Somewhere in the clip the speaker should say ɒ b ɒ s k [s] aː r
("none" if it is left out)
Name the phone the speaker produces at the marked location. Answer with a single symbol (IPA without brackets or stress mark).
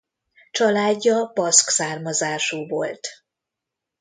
s